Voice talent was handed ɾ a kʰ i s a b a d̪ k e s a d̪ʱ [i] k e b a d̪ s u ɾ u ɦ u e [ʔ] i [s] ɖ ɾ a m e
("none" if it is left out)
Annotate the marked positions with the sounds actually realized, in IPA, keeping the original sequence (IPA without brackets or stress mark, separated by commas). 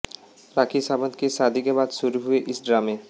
i, ʔ, s